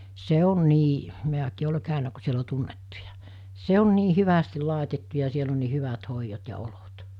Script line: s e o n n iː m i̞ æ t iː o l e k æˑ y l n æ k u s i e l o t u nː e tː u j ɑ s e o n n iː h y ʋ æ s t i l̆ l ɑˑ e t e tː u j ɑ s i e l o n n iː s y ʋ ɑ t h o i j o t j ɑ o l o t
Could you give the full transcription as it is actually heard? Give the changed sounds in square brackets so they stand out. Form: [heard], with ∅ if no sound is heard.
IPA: s e o n n iː m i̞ æ [k] iː o l e k æˑ y [∅] n æ k u s i e l o t u nː e tː u j ɑ s e o n n iː h y ʋ æ s t i l̆ l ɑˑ e t e tː u j ɑ s i e l o n n iː [h] y ʋ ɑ t h o i j o t j ɑ o l o t

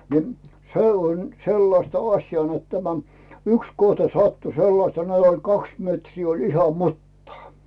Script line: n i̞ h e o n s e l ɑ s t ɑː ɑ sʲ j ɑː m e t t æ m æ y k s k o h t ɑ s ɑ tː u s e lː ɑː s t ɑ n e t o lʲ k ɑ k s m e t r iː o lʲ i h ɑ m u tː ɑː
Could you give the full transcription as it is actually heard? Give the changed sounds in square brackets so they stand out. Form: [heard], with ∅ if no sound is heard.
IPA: n i̞ [s] e o n s e [lː] ɑ s t [ɑ] ɑ sʲ j ɑː [n] e t t æ m æ y k s k o h t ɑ s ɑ tː u s e lː [ɑ] s t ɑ n e t o lʲ k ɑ k s m e t r iː o lʲ i h ɑ m u tː ɑː

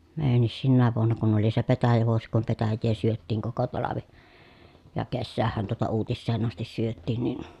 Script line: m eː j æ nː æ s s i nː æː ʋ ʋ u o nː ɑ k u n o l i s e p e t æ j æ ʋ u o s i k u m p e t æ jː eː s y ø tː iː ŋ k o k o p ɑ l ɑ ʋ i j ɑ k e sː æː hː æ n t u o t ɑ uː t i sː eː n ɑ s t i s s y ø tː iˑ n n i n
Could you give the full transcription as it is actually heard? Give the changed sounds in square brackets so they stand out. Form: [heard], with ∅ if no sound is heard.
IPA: m eː j æ nː [i] s s i nː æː ʋ ʋ u o nː ɑ k u n o l i s e p e t æ j æ ʋ u o s i k u m p e t æ jː eː s y ø tː iː ŋ k o k o [t] ɑ l ɑ ʋ i j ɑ k e sː æː hː æ n t u o t ɑ uː t i sː eː n ɑ s t i s s y ø tː iˑ n n i n

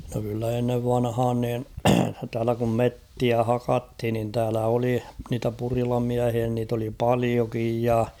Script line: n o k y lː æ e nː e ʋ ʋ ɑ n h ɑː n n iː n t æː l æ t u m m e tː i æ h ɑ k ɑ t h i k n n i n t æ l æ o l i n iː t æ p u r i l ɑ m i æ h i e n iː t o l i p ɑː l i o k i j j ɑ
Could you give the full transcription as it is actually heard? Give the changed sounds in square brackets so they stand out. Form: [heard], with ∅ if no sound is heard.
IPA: n o k y lː æ e nː e ʋ ʋ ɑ n h ɑː n n iː n t æː l æ [k] u m m e tː i æ h ɑ k ɑ t h i [∅] n n i n t [æː] l æ o l i n iː t æ p u r i l ɑ m i æ h i [æ] n iː t o l i p [ɑ] l i o k i j j ɑ

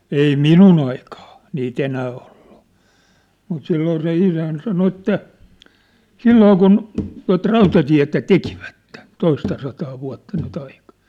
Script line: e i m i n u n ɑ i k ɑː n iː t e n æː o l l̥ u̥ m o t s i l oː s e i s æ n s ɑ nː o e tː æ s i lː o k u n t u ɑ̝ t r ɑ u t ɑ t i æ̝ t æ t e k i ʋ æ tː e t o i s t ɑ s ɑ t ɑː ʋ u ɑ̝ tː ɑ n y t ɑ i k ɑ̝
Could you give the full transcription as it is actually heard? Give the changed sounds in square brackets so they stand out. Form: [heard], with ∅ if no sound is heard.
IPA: e i m i n u n ɑ i k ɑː n iː t e n æː o l l̥ u̥ m [u] t s i [lː] oː s e i s æ n s ɑ [n] o e tː æ s i lː [oː] k u n t u ɑ̝ t r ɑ u t ɑ t i æ̝ t æ t e k i ʋ æ tː e t o i s t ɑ s ɑ t ɑː ʋ u ɑ̝ tː ɑ n y t ɑ i k ɑ̝

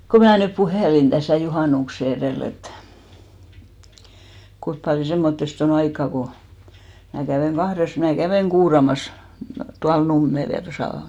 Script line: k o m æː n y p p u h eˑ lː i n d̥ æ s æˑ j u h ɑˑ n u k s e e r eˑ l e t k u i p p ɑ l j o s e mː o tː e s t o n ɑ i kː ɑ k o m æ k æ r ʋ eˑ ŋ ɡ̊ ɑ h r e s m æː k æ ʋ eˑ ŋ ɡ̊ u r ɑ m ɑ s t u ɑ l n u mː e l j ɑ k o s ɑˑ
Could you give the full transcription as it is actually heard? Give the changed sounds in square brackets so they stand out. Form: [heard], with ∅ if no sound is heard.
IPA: k o m æː n y p p u h eˑ [l] i n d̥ æ s æˑ j u h ɑˑ n u k s e e r eˑ l e t k u i p p ɑ l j o s e mː o tː e s t o n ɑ i kː ɑ k o m æ k æ [∅] ʋ eˑ ŋ ɡ̊ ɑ h r e s m æː k æ ʋ eˑ ŋ ɡ̊ [uː] r ɑ m ɑ s t u ɑ l n u mː e l j ɑ [t] o s ɑˑ

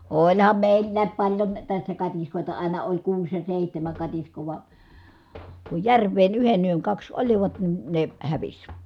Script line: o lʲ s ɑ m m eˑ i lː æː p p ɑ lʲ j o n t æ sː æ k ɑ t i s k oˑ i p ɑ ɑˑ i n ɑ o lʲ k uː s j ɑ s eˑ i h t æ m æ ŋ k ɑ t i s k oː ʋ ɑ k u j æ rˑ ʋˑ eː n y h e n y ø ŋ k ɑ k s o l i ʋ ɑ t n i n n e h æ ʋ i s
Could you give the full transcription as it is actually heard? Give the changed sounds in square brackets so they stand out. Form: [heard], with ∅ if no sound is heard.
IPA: o lʲ [h] ɑ m m eˑ i lː æː p p ɑ lʲ j o n t æ sː æ k ɑ t i s k oˑ i [t] ɑ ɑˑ i n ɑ o lʲ k uː s j ɑ s eˑ i h t æ m æ ŋ k ɑ t i s k oː ʋ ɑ k u j æ rˑ ʋˑ eː n y h e n y ø ŋ k ɑ k s o l i ʋ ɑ t n i n n e h æ ʋ i s

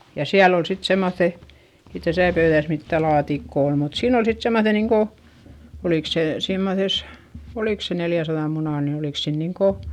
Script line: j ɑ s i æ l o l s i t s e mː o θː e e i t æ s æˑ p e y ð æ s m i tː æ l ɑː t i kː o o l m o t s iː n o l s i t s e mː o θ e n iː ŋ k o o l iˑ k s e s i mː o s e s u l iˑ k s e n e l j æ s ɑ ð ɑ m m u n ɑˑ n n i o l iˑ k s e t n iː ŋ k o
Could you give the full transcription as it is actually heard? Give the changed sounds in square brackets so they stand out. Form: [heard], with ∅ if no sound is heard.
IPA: j ɑ s i æ l o l s i t s e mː o θː e e i t æ s æˑ p [ø] y ð æ s m i tː æ l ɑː t i kː o o l m [u] t s iː n o l s i t s e mː o θ e n iː ŋ k o o l iˑ k s e s i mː o s e s [o] l iˑ k s e n e l j æ s ɑ ð ɑ m m u n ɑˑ n n i o l iˑ k s e [∅] n iː ŋ k o

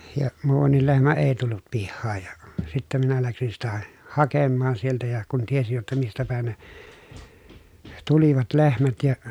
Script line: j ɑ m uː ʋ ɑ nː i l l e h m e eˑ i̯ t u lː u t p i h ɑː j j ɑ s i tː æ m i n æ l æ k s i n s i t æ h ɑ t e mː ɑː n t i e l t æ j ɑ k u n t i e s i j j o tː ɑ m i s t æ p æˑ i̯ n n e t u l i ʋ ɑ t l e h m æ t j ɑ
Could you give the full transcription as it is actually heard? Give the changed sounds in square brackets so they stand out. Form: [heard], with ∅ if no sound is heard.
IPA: j ɑ m uː ʋ ɑ nː i l l e h m [æ] eˑ i̯ t u lː u t p i [hː] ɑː j j ɑ s i tː æ m i n æ l æ k s i n s i t æ h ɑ [k] e mː ɑː n [s] i e l t æ j ɑ k u n t i e s i j j o tː ɑ m i s t æ p æˑ i̯ n n e t u l i ʋ ɑ t l e h m æ t j ɑ

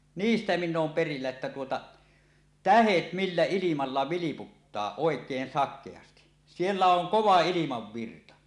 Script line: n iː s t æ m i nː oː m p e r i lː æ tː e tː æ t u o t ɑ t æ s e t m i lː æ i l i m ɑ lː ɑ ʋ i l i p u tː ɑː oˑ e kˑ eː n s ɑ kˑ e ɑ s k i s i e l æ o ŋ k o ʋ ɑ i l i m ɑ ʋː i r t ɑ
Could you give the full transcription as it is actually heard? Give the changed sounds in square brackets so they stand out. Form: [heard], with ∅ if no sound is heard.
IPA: n iː s t æ m i nː oː m p e r i lː æ [∅] e tː æ t u o t ɑ t æ [h] e t m i lː æ i l i m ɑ lː ɑ ʋ i l i p u tː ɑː oˑ e kˑ eː n s ɑ kˑ e ɑ s [t] i s i e [lː] æ o ŋ k o ʋ ɑ i l i m ɑ ʋː i r t ɑ

